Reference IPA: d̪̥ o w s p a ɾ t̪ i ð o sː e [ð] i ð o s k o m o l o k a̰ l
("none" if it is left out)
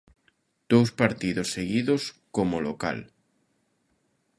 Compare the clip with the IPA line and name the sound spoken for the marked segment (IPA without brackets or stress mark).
ɣ